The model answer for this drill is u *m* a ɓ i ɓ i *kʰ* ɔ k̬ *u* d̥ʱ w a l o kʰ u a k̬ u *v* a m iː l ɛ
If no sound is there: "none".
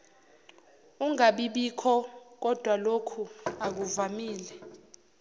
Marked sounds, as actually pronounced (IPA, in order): ŋ, kʰ, ɔ, v

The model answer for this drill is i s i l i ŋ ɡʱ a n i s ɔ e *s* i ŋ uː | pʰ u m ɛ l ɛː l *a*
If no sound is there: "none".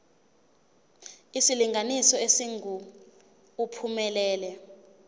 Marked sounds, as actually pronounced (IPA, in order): s, ɛ

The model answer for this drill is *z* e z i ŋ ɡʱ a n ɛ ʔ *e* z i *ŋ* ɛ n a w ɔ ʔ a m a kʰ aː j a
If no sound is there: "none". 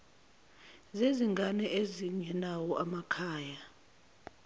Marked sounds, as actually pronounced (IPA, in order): z, e, ɲ

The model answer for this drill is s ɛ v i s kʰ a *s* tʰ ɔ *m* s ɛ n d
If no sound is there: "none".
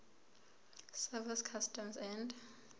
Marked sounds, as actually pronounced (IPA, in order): s, m

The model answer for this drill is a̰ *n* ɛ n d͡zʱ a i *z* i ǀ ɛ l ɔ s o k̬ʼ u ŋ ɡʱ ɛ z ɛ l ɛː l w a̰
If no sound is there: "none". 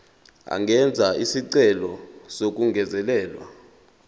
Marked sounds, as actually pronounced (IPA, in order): ŋ, s

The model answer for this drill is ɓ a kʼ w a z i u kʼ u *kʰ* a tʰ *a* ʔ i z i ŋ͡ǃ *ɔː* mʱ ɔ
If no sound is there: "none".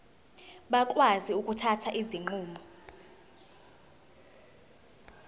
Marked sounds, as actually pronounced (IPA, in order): tʰ, a, uː

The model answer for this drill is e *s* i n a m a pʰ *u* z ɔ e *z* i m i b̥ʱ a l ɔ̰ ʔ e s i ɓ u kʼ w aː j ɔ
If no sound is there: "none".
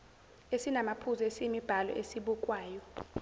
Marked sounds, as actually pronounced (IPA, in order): s, u, s

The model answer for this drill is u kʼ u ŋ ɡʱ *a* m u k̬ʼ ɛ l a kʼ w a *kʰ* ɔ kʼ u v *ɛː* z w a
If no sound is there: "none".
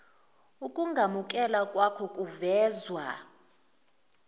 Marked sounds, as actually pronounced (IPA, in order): a, kʰ, ɛː

